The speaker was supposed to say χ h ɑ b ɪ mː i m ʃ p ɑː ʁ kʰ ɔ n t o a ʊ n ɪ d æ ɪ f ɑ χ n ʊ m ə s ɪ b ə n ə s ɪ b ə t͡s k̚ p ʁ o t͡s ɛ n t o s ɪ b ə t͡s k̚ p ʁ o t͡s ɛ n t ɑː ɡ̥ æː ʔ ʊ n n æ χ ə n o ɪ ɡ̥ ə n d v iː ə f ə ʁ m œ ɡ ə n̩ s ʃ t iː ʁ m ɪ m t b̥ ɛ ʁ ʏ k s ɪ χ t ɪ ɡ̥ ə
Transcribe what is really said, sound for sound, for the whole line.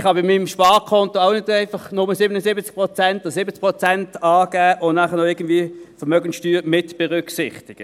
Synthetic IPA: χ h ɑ b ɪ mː i m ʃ p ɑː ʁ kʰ ɔ n t o a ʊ n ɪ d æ ɪ f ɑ χ n ʊ m ə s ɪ b ə n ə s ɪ b ə t͡s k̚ p ʁ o t͡s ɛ n t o s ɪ b ə t͡s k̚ p ʁ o t͡s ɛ n t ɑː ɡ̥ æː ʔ ʊ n n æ χ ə n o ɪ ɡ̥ ə n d v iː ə f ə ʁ m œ ɡ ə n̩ s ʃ t yː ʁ m ɪ t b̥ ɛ ʁ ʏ k s ɪ χ t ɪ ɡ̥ ə